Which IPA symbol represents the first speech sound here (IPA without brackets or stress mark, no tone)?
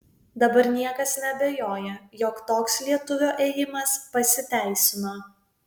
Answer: d̪